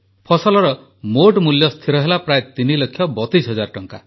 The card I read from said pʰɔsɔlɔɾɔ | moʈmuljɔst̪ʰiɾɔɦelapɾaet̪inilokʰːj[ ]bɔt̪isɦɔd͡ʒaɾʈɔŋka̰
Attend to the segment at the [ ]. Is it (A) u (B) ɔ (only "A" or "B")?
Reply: B